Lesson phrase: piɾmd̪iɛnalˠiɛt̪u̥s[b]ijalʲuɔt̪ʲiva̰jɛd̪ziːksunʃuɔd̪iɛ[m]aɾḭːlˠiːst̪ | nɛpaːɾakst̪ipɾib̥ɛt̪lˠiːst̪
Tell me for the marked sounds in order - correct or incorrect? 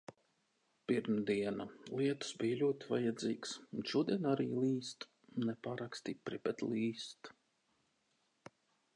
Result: correct, incorrect

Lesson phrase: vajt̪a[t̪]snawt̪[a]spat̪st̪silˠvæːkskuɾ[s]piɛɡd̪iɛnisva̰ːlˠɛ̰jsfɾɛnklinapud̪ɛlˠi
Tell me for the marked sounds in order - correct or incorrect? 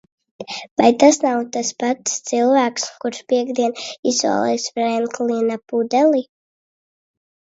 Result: incorrect, correct, incorrect

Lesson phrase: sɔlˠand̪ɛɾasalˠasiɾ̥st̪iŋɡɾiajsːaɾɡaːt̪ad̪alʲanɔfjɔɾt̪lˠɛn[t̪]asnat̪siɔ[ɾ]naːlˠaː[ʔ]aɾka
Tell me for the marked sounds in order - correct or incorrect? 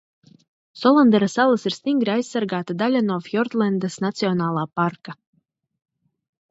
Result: incorrect, incorrect, incorrect

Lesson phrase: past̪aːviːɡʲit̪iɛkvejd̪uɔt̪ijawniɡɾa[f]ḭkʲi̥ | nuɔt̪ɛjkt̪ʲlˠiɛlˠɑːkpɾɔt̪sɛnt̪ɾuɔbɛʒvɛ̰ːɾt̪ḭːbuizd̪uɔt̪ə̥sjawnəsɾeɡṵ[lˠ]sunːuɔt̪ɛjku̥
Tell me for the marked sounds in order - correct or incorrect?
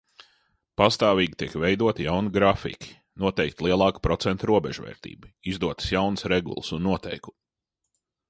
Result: correct, correct

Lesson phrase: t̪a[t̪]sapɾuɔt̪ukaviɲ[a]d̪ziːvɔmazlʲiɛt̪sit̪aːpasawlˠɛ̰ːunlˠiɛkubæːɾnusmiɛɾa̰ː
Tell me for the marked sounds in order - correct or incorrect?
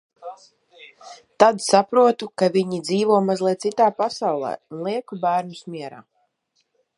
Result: incorrect, incorrect

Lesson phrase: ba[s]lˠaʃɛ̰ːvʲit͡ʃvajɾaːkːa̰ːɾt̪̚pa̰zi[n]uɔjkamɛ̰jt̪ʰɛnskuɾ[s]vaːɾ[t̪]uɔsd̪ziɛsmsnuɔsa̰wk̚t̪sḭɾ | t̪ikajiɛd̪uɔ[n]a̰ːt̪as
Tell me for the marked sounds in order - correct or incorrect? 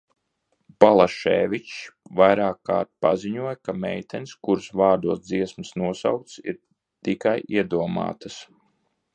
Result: incorrect, incorrect, correct, incorrect, incorrect

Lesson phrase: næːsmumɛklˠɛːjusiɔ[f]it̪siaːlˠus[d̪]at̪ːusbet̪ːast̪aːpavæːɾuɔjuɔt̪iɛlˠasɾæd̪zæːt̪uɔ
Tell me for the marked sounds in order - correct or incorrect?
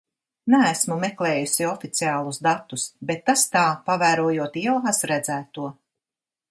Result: correct, correct

